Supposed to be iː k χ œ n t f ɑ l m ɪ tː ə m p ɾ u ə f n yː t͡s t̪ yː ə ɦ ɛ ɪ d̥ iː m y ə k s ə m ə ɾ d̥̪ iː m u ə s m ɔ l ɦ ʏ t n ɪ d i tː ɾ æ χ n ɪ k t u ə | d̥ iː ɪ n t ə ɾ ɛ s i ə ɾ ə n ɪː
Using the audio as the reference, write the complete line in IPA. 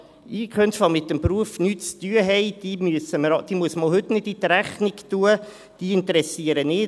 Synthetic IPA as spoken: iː k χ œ n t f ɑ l m ɪ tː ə m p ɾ u ə f n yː t͡s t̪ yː ə ɦ ɛ ɪ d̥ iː m y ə s ə m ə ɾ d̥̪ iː m u ə s m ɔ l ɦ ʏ t n ɪ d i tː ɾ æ χ n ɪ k t u ə | d̥ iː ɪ n t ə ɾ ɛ s i ə ɾ ə n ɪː